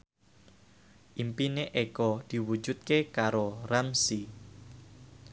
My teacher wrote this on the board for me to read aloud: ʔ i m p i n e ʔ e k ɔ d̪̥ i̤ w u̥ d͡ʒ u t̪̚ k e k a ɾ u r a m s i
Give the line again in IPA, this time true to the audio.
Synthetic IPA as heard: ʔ i m p i n e ʔ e k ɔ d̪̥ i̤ w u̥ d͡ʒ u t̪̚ k e k a ɾ o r a m s i